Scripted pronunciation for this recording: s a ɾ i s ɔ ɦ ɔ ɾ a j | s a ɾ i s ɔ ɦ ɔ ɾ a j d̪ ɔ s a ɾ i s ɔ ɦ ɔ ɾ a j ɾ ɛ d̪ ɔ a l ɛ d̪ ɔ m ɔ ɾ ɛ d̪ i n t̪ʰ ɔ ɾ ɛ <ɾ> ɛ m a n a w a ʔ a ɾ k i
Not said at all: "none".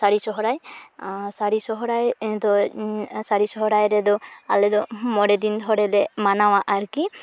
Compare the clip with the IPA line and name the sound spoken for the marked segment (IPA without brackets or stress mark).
l